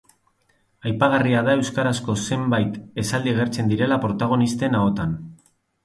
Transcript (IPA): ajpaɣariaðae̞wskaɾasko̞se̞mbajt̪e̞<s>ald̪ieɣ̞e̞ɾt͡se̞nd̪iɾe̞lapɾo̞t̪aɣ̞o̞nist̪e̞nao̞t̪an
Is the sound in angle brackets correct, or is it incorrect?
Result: correct